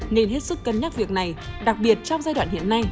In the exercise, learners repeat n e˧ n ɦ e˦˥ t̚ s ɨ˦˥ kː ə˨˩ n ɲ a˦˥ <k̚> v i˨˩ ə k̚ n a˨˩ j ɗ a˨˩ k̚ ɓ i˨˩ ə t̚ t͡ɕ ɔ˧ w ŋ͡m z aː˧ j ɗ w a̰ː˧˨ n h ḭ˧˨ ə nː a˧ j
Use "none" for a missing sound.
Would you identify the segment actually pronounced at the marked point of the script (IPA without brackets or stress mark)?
t̚